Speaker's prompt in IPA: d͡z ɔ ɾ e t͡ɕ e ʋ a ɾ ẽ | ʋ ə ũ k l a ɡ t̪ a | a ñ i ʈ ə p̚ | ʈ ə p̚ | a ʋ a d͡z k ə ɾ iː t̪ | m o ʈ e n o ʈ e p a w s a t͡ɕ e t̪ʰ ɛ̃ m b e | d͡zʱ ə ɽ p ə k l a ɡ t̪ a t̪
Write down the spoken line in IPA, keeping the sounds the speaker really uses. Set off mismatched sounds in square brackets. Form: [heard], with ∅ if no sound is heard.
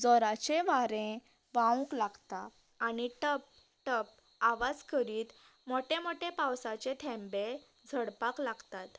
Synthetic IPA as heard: d͡z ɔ ɾ [a] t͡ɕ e ʋ a ɾ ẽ | ʋ [a] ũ k l a ɡ t̪ a | a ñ i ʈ ə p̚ | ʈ ə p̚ | a ʋ a d͡z k ə ɾ iː t̪ | m o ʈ e [m] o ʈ e p a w s a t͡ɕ e t̪ʰ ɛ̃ m b e | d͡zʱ ə ɽ p [a] k l a ɡ t̪ a t̪